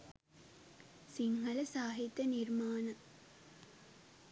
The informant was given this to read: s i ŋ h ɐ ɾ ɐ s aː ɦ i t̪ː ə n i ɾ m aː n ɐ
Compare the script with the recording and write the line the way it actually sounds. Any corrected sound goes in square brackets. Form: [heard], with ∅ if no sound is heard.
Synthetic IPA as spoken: s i ŋ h ɐ [l] ɐ s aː ɦ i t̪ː [ɐ] n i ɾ m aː n ɐ